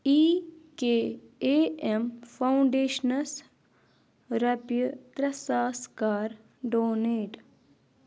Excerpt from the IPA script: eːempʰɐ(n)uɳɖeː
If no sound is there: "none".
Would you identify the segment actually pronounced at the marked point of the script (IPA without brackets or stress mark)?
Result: none